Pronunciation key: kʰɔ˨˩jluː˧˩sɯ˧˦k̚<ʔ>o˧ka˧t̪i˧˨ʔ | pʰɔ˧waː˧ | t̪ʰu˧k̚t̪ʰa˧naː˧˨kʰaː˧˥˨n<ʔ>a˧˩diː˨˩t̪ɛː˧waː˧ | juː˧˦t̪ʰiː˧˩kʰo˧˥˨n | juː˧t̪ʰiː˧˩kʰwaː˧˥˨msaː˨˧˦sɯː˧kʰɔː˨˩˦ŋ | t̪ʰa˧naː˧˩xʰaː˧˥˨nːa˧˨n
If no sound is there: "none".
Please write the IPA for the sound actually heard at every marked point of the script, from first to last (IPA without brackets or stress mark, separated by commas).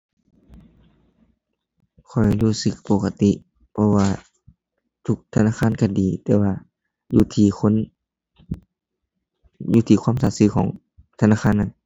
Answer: p, k